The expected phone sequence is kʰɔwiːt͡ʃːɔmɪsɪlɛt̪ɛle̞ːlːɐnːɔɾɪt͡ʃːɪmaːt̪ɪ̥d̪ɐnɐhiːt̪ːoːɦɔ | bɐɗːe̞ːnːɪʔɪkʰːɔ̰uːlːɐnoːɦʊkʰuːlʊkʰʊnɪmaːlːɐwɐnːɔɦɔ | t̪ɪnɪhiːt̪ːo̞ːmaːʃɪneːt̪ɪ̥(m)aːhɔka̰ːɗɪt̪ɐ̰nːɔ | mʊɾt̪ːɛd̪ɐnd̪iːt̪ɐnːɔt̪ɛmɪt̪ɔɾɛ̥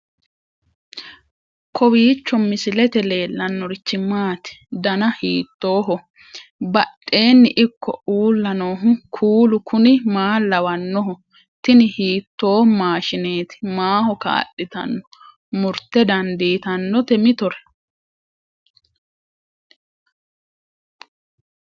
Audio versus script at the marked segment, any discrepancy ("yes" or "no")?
no